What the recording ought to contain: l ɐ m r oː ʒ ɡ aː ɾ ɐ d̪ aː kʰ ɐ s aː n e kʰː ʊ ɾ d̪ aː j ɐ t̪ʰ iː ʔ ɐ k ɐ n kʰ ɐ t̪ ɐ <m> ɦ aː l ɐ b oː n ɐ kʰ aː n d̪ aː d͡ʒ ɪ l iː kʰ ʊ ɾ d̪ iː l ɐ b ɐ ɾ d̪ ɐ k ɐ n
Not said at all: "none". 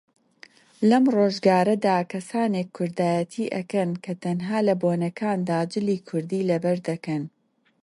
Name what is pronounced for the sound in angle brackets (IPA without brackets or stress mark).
n